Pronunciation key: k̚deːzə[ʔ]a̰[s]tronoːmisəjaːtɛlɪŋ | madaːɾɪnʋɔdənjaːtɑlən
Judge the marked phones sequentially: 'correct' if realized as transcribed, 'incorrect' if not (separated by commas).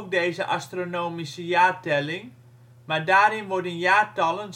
correct, correct